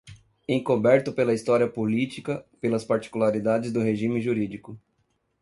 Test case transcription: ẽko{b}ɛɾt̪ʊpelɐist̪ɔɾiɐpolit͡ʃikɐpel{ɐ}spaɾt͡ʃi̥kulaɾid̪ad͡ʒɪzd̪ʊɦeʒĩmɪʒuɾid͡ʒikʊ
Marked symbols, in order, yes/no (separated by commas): yes, yes